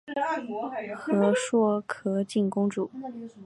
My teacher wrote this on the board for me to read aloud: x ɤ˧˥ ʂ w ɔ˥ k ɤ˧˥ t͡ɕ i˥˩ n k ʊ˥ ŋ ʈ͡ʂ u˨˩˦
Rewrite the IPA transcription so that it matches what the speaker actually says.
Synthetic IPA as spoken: x ɤ˧˥ ʂ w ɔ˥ kʰ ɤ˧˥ t͡ɕ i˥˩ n k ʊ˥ ŋ ʈ͡ʂ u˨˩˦

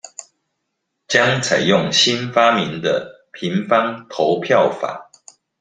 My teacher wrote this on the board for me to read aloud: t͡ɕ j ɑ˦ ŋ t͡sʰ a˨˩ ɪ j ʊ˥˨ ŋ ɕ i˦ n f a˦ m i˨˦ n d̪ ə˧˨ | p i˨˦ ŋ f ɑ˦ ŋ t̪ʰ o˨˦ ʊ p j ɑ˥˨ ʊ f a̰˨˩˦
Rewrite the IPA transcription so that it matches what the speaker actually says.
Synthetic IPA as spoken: t͡ɕ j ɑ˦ ŋ t͡sʰ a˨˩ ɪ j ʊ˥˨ ŋ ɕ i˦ n f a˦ m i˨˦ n d̪ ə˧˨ | pʰ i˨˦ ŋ f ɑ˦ ŋ t̪ʰ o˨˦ ʊ pʰ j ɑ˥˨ ʊ f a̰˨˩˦

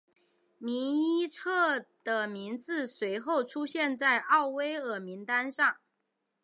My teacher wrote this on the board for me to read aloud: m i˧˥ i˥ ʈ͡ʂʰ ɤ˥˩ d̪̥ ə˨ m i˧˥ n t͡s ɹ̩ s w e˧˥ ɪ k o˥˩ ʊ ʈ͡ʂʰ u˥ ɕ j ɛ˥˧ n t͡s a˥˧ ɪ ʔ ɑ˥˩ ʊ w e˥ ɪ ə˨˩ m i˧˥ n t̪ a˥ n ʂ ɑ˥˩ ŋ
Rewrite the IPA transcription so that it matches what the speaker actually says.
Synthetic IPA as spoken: m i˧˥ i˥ ʈ͡ʂʰ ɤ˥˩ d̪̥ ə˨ m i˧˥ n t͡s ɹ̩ s w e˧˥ ɪ x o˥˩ ʊ ʈ͡ʂʰ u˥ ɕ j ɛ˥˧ n t͡s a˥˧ ɪ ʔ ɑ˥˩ ʊ w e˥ ɪ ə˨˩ m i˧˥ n t̪ a˥ n ʂ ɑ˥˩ ŋ

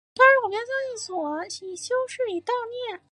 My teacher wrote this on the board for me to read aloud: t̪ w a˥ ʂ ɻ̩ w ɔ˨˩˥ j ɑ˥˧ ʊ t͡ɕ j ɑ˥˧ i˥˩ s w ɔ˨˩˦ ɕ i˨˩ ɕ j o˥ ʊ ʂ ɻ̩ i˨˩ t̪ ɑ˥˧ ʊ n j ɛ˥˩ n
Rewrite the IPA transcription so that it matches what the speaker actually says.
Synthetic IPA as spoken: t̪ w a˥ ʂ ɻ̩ w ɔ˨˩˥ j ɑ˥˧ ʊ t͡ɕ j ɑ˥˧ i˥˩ s w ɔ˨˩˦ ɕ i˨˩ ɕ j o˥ ʊ ʂ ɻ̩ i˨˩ t̪ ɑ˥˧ ʊ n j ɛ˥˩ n

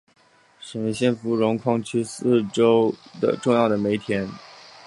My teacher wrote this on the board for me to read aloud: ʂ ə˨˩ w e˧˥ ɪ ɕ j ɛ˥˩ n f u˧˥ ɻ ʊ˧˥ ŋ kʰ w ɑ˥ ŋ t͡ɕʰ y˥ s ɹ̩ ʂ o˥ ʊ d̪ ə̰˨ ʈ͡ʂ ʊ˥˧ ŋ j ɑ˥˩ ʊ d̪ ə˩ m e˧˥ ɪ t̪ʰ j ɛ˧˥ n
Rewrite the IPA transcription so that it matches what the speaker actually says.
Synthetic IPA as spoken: ʂ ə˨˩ w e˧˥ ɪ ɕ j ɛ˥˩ n f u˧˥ ɻ ʊ˧˥ ŋ kʰ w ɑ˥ ŋ t͡ɕʰ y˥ s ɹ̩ ʈ͡ʂ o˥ ʊ d̪ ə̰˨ ʈ͡ʂ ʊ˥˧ ŋ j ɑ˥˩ ʊ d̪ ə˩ m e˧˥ ɪ t̪ʰ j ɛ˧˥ n

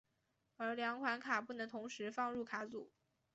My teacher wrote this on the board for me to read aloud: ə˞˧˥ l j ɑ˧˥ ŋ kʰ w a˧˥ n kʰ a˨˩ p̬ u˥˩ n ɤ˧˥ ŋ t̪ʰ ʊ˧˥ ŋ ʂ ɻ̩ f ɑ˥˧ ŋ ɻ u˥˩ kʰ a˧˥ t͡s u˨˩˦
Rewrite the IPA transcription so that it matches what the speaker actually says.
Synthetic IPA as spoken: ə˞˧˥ l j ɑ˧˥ ŋ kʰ w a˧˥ n kʰ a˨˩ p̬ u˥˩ n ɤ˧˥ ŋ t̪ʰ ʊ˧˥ ŋ ʂ ɻ̩ f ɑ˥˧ ŋ ɻ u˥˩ kʰ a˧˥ t͡s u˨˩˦

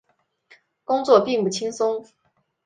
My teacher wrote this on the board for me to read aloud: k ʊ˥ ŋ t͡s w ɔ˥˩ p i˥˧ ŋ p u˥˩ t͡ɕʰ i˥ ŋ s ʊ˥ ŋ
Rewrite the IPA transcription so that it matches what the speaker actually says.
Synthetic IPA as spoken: k ʊ˥ ŋ t͡s w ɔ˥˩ p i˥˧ ŋ p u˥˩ t͡ɕʰ i˥ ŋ s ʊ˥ ŋ

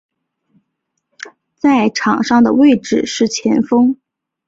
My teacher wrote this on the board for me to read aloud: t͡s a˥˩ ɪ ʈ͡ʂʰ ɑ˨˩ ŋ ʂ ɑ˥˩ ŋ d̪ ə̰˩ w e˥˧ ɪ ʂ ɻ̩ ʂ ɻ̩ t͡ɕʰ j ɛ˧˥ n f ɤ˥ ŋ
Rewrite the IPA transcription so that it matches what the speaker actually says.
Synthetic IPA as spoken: t͡s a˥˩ ɪ ʈ͡ʂʰ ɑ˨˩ ŋ ʂ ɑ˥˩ ŋ d̪ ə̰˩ w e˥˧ ɪ ʈ͡ʂ ɻ̩ ʂ ɻ̩ t͡ɕʰ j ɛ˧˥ n f ɤ˥ ŋ

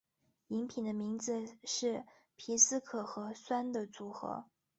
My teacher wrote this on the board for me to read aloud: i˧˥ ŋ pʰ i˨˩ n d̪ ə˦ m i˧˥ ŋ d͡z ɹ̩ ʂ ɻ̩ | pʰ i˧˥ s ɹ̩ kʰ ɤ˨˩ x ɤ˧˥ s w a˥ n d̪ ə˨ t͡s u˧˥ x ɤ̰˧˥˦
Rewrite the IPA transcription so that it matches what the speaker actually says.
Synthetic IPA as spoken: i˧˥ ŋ pʰ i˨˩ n d̪ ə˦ m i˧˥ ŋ d͡z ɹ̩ ʂ ɻ̩ | pʰ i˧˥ s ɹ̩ kʰ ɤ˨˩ x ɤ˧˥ s w a˥ n d̪ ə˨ t͡s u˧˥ x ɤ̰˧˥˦

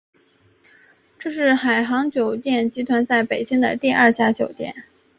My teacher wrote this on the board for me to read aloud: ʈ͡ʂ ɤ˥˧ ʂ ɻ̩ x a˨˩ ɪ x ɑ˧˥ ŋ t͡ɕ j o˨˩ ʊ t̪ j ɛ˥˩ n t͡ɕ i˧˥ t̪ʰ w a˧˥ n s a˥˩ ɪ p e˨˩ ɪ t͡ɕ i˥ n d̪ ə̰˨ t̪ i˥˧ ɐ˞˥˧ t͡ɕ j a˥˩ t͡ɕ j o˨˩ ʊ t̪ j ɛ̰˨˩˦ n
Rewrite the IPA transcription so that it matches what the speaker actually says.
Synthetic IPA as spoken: ʈ͡ʂ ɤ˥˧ ʂ ɻ̩ x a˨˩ ɪ x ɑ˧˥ ŋ t͡ɕ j o˨˩ ʊ t̪ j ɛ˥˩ n t͡ɕ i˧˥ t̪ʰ w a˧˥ n s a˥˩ ɪ p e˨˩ ɪ t͡ɕ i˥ ŋ d̪ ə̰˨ t̪ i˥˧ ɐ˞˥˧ t͡ɕ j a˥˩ t͡ɕ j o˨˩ ʊ t̪ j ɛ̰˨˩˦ n

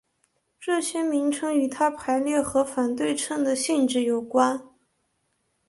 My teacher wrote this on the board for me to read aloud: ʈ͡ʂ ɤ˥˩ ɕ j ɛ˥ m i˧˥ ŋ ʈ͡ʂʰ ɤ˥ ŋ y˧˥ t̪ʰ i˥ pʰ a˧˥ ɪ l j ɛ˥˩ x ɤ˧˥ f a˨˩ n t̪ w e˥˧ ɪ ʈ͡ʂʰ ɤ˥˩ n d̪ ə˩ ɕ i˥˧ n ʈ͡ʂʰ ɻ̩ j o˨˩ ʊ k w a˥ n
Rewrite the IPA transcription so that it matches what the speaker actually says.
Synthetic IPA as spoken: ʈ͡ʂ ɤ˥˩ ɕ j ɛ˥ m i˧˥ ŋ ʈ͡ʂʰ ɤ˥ ŋ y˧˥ t̪ʰ a˥ pʰ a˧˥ ɪ l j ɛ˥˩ x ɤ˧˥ f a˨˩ n t̪ w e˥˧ ɪ ʈ͡ʂʰ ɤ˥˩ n d̪ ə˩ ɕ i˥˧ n ʈ͡ʂ ɻ̩ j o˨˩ ʊ k w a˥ n

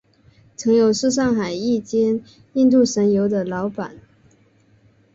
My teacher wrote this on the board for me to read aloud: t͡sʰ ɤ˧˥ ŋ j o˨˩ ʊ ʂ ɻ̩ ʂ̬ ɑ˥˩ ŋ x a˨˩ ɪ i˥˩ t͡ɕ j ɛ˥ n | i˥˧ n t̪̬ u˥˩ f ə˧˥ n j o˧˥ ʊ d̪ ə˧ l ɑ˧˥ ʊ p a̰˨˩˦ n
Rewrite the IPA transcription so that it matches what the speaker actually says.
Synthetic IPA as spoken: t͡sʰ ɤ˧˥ ŋ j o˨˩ ʊ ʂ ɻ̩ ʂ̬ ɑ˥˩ ŋ x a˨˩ ɪ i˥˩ t͡ɕ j ɛ˥ n | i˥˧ n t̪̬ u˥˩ ʂ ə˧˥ n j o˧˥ ʊ d̪ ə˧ l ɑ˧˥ ʊ p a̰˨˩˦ n

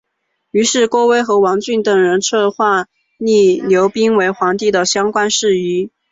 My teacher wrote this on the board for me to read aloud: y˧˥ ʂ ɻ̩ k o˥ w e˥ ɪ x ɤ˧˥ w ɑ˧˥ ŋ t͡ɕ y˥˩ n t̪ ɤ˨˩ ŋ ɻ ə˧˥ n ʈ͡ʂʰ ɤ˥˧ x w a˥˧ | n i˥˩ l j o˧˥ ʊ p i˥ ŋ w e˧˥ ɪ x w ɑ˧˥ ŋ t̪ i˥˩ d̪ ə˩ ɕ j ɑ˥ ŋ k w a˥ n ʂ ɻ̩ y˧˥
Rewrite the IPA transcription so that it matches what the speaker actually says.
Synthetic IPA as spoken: y˧˥ ʂ ɻ̩ k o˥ w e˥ ɪ x ɤ˧˥ w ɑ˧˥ ŋ t͡ɕ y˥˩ n t̪ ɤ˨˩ ŋ ɻ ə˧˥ n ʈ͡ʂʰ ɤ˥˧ x w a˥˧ | n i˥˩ l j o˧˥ ʊ p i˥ ŋ w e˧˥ ɪ x w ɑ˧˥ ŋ t̪ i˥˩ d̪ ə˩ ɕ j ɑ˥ ŋ k w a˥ n ʂ ɻ̩ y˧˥

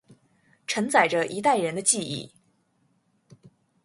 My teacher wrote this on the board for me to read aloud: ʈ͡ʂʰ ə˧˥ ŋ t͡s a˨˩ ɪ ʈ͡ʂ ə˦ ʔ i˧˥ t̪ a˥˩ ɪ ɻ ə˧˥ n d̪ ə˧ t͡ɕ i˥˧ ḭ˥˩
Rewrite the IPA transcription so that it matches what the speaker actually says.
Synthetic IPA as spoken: ʈ͡ʂʰ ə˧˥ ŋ t͡s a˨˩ ɪ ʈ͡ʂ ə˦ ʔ i˧˥ t̪ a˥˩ ɪ ɻ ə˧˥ n d̪ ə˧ t͡ɕ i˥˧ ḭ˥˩

